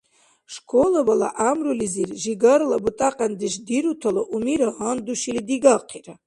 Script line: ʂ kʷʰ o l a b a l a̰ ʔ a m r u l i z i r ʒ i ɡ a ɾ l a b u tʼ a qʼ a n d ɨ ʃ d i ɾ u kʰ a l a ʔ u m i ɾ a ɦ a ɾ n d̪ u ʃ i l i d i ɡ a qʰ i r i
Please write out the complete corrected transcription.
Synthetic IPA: ʂ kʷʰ o l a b a l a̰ ʔ a m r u l i z i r ʒ i ɡ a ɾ l a b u tʼ a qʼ a n d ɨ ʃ d i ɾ u tʰ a l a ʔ u m i ɾ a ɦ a n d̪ u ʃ i l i d i ɡ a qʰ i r a